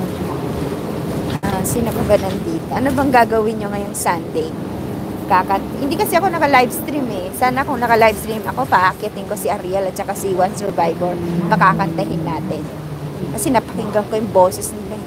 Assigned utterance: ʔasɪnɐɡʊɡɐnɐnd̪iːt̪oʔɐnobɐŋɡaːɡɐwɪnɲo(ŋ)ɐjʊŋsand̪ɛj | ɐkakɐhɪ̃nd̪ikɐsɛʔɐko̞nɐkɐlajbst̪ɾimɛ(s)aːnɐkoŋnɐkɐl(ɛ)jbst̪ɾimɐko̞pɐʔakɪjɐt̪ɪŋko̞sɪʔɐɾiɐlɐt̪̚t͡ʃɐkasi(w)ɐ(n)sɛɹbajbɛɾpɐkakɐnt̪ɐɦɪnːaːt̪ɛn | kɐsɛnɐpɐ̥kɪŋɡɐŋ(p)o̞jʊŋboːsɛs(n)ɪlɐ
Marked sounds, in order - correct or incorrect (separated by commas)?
correct, correct, incorrect, correct, correct, incorrect, correct